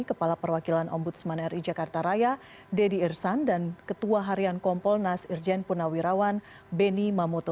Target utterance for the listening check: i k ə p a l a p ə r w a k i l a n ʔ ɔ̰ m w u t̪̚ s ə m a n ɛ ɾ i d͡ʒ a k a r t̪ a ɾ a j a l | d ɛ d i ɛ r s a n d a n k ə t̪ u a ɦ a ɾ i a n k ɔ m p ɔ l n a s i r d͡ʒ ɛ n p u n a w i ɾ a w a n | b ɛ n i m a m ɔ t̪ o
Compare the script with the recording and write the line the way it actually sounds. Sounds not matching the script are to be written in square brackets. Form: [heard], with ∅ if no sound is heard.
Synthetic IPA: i k ə p a l a p ə r w a k i l a n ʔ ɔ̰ m [b] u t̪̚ s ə m a n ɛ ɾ i d͡ʒ a k a r t̪ a ɾ a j a [∅] | d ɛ d i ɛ r s a n d a n k ə t̪ u a ɦ a ɾ i a n k ɔ m p ɔ l n a s i r d͡ʒ ɛ n p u n a w i ɾ a w a n | b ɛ n i m a m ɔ t̪ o